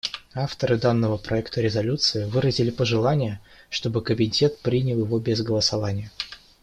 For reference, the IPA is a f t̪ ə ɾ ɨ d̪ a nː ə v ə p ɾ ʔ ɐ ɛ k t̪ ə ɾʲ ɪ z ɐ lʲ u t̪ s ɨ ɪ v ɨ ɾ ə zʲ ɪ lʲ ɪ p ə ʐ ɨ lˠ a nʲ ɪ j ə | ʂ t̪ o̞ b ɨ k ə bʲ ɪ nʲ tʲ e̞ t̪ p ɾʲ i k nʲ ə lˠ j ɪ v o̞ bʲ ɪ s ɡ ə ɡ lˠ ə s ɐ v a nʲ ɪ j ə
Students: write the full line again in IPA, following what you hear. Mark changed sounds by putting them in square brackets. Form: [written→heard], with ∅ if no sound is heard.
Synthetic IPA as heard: a f t̪ ə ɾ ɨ d̪ a nː ə v ə p ɾ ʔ ɐ ɛ k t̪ ə ɾʲ ɪ z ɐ lʲ u t̪ s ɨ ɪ v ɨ ɾ ə zʲ ɪ lʲ ɪ p ə ʐ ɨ lˠ a nʲ ɪ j ə | ʂ t̪ o̞ b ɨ k ə bʲ ɪ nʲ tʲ e̞ t̪ p ɾʲ i [k→∅] nʲ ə lˠ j ɪ v o̞ bʲ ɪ [s→z] ɡ ə [ɡ→∅] lˠ ə s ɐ v a nʲ ɪ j ə